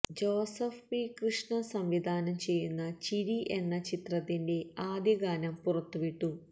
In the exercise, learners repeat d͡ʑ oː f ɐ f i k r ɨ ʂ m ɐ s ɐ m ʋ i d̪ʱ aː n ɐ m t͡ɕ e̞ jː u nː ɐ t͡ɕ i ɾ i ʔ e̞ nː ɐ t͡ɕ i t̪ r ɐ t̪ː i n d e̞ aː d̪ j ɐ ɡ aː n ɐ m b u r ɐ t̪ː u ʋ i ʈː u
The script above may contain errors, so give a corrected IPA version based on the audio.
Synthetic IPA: d͡ʑ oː s ɐ f i k r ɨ ʂ ɳ ɐ s ɐ m ʋ i d̪ʱ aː n ɐ m t͡ɕ e̞ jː u nː ɐ t͡ɕ i ɾ i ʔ e̞ nː ɐ t͡ɕ i t̪ r ɐ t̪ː i n d e̞ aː d̪ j ɐ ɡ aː n ɐ m p u r ɐ t̪ː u ʋ i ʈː u

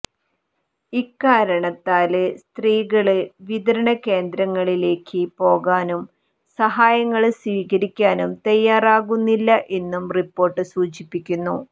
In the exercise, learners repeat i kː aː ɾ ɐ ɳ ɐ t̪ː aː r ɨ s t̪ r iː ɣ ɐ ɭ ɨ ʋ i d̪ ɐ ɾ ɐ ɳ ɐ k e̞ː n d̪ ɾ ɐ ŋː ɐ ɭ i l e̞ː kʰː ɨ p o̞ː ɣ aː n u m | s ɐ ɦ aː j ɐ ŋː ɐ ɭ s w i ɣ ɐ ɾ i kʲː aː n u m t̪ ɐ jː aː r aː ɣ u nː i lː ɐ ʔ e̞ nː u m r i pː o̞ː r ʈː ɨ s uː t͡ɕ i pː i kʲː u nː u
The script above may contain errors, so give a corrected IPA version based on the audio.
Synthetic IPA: i kː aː ɾ ɐ ɳ ɐ t̪ː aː l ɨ s t̪ r iː ɣ ɐ ɭ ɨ ʋ i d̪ ɐ ɾ ɐ ɳ ɐ k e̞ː n d̪ ɾ ɐ ŋː ɐ ɭ i l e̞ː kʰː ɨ p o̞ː ɣ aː n u m | s ɐ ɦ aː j ɐ ŋː ɐ ɭ s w iː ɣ ɐ ɾ i kʲː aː n u m t̪ ɐ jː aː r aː ɣ u nː i lː ɐ ʔ e̞ nː u m r i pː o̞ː r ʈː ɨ s uː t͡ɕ i pː i kʲː u nː u

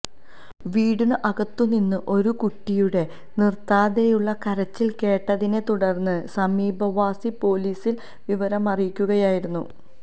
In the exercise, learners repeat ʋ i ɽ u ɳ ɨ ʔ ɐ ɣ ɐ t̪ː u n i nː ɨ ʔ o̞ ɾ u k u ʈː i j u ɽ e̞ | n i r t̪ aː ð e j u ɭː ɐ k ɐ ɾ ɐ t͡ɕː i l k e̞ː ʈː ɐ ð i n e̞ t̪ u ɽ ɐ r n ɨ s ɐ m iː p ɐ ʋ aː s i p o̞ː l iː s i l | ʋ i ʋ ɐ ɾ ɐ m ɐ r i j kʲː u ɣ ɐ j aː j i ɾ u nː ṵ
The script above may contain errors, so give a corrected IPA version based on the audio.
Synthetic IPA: ʋ iː ɽ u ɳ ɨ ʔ ɐ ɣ ɐ t̪ː u n i nː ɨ ʔ o̞ ɾ u k u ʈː i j u ɽ e̞ | n i r t̪ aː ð e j u ɭː ɐ k ɐ ɾ ɐ t͡ɕː i l k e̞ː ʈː ɐ ð i n e̞ t̪ u ɽ ɐ r nː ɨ s ɐ m iː b ɐ ʋ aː s i p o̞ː l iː s i l | ʋ i ʋ ɐ ɾ ɐ m ɐ r i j kʲː u ɣ ɐ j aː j i ɾ u nː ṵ

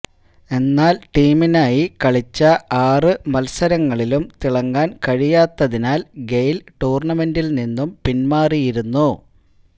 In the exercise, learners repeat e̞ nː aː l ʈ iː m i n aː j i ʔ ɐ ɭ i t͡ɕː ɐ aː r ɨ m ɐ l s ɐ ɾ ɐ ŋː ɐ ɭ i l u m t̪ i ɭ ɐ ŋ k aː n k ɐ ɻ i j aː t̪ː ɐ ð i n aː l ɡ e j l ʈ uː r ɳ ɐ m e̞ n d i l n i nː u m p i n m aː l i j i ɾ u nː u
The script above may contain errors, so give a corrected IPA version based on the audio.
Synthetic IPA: e̞ nː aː l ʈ iː m i n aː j i k ɐ ɭ i t͡ɕː ɐ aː r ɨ m ɐ l s ɐ ɾ ɐ ŋː ɐ ɭ i l u m t̪ i ɭ ɐ ŋ ɡ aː n k ɐ ɻ i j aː t̪ː ɐ ð i n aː l ɡ e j l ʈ uː r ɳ ɐ m e̞ n d i l n i nː u m p i n m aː r i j i ɾ u nː u

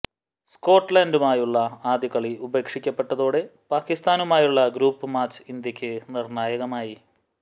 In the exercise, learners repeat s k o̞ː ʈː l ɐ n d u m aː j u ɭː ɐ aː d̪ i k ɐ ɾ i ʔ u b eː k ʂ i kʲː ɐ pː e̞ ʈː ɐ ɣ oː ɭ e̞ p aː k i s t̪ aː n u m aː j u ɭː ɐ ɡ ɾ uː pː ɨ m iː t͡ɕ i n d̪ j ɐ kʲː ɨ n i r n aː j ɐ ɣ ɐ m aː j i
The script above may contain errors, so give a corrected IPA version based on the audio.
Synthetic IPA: s k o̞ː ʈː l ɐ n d u m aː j u ɭː ɐ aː d̪ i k ɐ ɭ i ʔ u b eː k ʂ i kʲː ɐ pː e̞ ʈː ɐ ð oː ɽ e̞ p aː k i s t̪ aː n u m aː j u ɭː ɐ ɡ ɾ uː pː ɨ m aː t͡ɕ i n d̪ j ɐ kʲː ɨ n i r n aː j ɐ ɣ ɐ m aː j i

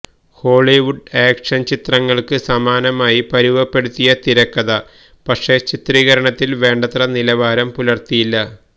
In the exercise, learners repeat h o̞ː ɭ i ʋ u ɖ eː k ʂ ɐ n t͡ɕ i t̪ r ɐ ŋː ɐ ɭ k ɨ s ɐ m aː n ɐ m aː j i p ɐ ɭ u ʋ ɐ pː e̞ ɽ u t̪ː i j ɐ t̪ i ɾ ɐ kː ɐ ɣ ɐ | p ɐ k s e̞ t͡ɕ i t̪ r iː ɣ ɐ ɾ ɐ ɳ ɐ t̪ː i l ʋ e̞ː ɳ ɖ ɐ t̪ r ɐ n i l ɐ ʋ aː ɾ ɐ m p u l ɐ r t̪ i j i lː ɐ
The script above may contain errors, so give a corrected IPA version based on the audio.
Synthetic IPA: h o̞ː ɭ i ʋ u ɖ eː k ʂ ɐ n t͡ɕ i t̪ r ɐ ŋː ɐ ɭ k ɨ s ɐ m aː n ɐ m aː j i p ɐ ɾ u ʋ ɐ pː e̞ ɽ u t̪ː i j ɐ t̪ i ɾ ɐ kː ɐ ð ɐ | p ɐ k ʂ e̞ t͡ɕ i t̪ r iː ɣ ɐ ɾ ɐ ɳ ɐ t̪ː i l ʋ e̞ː ɳ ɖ ɐ t̪ r ɐ n i l ɐ ʋ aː ɾ ɐ m p u l ɐ r t̪ i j i lː ɐ

